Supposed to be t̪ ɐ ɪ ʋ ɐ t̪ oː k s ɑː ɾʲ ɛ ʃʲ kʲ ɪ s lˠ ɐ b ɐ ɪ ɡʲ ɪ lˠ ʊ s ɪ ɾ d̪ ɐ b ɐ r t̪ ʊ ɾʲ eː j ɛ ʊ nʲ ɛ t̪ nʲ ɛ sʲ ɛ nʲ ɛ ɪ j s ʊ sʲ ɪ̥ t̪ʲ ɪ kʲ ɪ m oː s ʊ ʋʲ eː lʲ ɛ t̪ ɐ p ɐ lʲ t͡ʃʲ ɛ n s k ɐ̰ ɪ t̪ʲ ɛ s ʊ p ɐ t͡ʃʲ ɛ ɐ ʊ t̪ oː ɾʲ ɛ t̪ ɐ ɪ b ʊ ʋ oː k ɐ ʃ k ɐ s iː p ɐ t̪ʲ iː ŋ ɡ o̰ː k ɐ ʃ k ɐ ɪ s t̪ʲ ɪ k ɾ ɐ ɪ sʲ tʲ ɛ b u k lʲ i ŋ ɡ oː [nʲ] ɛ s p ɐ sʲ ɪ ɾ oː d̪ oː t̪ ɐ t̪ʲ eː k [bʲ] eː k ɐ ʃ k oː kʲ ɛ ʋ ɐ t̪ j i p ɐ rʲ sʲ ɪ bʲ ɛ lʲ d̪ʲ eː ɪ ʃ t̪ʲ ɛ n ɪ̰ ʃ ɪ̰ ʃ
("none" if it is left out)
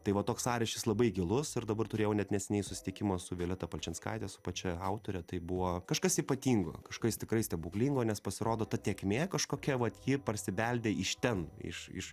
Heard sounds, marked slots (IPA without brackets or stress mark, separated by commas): nʲ, mʲ